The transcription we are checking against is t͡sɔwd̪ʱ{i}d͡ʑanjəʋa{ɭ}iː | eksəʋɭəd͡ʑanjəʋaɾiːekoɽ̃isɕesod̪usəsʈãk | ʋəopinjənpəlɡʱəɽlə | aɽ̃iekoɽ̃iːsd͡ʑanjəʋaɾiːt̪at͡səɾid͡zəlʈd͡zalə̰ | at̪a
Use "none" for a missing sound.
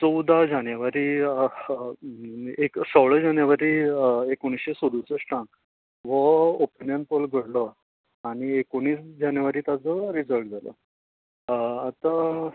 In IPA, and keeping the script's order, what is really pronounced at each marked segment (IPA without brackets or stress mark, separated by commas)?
a, ɾ